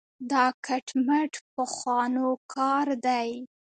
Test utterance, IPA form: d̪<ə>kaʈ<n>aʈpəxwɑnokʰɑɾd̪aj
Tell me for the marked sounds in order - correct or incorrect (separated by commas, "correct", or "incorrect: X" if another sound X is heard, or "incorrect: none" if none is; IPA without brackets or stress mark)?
incorrect: ɑ, incorrect: m